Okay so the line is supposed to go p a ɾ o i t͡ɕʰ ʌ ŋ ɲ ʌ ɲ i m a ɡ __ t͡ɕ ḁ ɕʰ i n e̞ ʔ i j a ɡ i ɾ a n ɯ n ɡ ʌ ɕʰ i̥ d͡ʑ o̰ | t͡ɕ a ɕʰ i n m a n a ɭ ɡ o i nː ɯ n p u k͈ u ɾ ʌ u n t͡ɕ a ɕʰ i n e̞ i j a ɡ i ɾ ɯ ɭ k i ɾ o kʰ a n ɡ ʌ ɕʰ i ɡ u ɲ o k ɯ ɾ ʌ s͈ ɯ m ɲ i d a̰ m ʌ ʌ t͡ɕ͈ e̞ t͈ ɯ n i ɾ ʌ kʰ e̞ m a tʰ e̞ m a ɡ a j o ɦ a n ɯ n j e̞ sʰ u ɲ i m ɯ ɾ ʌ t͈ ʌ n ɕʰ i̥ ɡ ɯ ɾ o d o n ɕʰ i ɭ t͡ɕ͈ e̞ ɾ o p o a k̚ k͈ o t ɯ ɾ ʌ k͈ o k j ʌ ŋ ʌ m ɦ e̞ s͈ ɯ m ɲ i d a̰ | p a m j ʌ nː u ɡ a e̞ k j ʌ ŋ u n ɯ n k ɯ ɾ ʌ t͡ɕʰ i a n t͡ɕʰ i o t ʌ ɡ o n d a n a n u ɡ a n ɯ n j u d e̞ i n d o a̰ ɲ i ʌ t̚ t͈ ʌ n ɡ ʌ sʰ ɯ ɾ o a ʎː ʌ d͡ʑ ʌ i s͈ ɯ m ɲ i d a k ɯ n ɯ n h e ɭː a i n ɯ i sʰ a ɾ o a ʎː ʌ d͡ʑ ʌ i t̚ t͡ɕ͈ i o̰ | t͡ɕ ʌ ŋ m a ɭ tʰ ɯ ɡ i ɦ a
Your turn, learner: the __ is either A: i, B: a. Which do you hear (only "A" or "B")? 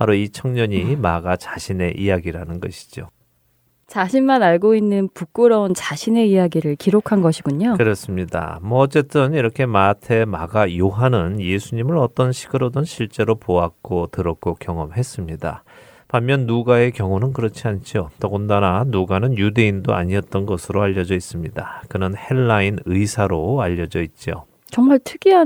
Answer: B